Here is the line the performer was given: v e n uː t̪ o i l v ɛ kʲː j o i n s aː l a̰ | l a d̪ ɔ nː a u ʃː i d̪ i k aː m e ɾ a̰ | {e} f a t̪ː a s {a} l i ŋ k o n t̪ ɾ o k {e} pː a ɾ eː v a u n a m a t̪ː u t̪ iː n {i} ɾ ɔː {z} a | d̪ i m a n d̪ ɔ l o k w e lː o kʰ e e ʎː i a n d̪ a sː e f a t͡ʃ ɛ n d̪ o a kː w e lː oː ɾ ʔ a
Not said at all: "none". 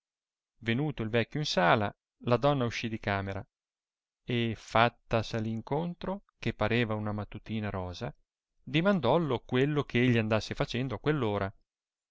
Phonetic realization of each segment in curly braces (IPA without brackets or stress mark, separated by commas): e, a, e, a, z